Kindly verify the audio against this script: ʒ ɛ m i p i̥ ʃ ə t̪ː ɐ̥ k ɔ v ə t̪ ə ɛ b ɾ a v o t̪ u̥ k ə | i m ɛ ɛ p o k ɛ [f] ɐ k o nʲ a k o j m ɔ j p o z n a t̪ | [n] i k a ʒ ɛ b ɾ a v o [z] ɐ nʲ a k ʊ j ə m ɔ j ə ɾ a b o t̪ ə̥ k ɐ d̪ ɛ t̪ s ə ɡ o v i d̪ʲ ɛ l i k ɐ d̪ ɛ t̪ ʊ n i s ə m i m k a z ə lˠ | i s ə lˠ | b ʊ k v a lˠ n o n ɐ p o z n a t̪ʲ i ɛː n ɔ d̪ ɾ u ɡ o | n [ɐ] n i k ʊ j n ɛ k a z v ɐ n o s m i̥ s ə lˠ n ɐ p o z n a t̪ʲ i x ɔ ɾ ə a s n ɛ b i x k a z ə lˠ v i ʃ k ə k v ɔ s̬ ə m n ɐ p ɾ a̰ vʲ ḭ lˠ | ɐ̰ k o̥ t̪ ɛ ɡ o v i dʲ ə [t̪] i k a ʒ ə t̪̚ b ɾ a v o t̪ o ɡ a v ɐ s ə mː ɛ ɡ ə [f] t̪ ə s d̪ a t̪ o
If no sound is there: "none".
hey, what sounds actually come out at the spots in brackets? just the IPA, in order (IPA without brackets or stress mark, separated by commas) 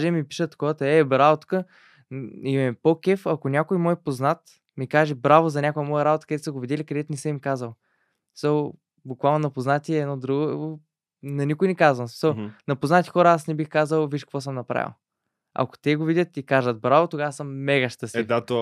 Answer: f, m, z, ɐ, t̪, ʃ